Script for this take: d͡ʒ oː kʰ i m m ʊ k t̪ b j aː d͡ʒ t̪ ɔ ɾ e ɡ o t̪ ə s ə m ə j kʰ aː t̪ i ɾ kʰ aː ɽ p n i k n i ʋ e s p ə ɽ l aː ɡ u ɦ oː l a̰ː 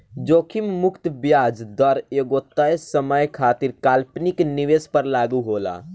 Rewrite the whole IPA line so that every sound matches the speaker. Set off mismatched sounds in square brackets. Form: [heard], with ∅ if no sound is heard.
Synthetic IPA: d͡ʒ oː kʰ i m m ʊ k t̪ b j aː d͡ʒ [d̪] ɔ ɾ e ɡ o t̪ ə s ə m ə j kʰ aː t̪ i ɾ [k] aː [l] p n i k n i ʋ e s p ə [ɾ] l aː ɡ u ɦ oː l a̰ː